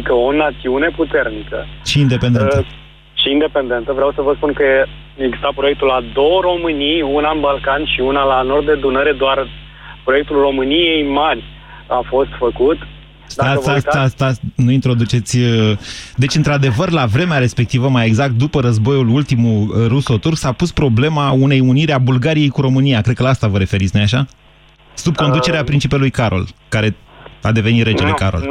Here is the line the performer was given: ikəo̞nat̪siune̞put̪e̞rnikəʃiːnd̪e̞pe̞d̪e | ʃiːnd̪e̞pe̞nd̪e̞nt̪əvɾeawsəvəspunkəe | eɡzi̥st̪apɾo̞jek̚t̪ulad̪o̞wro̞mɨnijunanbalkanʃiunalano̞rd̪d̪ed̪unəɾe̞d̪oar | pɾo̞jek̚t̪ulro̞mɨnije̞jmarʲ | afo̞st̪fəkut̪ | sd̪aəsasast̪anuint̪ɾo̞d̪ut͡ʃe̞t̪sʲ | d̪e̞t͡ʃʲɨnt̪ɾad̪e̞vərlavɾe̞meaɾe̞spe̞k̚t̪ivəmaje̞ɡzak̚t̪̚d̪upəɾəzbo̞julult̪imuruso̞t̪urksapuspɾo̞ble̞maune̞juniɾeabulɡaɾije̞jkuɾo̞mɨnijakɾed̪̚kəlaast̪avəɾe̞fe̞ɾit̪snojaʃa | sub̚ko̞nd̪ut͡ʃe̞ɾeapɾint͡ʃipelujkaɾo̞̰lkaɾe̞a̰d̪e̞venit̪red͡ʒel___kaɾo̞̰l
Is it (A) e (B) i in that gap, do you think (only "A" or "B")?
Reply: A